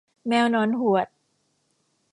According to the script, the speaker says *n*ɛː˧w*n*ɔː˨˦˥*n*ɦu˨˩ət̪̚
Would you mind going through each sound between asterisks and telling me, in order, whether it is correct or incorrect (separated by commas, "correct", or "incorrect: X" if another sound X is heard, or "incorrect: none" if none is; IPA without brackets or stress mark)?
incorrect: m, correct, correct